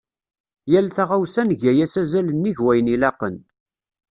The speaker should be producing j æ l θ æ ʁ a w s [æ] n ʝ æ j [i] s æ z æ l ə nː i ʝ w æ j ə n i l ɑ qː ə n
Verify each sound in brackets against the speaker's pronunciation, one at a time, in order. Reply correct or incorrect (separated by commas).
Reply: correct, incorrect